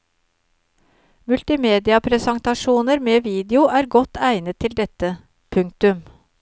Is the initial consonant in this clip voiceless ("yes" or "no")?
no